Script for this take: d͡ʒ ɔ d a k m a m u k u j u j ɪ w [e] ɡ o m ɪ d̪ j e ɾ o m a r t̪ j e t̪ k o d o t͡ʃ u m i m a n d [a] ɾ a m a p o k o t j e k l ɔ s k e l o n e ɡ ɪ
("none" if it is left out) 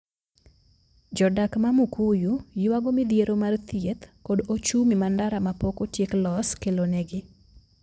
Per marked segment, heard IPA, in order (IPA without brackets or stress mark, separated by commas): a, a